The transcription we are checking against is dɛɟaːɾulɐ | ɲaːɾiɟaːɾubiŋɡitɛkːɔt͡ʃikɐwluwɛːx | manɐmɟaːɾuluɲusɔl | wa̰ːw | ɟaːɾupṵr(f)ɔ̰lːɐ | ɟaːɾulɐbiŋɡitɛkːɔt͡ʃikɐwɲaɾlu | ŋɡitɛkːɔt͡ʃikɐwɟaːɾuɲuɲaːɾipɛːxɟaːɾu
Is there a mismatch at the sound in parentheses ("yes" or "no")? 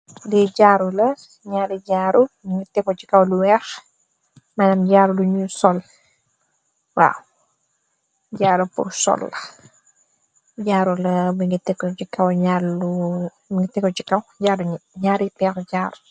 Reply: yes